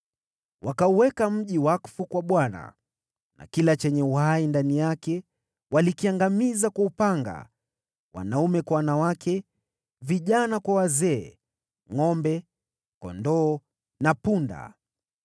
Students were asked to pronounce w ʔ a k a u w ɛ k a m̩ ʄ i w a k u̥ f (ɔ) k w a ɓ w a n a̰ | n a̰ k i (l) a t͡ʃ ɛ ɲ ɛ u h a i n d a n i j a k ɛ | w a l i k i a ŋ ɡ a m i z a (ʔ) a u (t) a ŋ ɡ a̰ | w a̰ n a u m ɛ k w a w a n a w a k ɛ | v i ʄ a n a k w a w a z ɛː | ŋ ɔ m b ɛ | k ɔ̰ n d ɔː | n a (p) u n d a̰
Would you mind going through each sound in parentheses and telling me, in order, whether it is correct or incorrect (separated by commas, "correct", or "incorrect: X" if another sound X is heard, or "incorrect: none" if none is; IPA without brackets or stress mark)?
incorrect: u, correct, incorrect: k, incorrect: p, correct